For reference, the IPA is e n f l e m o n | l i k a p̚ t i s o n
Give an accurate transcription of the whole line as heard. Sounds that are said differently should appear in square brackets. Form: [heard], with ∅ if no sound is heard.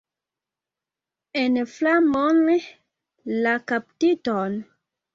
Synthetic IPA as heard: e n f l [a] m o n | l [a] k a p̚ t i [t] o n